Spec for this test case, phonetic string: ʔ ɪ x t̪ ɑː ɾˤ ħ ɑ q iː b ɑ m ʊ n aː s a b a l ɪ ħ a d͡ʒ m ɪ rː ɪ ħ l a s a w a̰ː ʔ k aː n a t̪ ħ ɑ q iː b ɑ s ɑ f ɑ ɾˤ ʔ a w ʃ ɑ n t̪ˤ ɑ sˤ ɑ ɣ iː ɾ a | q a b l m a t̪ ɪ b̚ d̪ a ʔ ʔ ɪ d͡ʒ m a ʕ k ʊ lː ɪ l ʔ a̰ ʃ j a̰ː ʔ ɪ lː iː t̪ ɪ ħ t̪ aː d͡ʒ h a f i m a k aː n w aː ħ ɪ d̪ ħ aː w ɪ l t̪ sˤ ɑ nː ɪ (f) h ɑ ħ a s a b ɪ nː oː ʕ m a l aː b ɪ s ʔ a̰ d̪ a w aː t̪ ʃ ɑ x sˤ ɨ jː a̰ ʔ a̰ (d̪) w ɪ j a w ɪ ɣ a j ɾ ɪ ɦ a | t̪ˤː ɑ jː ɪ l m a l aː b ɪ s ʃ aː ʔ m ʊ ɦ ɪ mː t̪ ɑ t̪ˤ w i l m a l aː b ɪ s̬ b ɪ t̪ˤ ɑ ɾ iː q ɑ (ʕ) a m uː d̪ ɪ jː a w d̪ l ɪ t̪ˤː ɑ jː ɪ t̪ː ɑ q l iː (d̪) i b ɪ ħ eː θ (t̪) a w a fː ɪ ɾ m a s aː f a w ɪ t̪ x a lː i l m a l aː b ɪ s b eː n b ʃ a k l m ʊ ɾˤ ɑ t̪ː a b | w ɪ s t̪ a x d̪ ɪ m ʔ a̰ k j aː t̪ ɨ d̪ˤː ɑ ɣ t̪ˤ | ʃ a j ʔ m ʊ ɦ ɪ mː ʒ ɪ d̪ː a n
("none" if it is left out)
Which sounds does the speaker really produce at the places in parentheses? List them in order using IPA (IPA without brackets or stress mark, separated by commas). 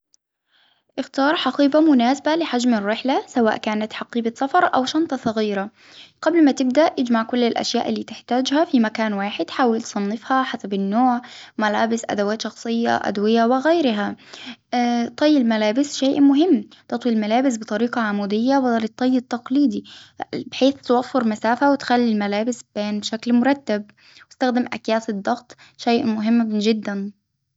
f, d̪, ʕ, d̪, t̪